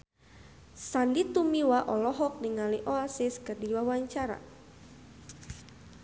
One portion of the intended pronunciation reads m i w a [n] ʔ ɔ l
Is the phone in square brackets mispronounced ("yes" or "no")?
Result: yes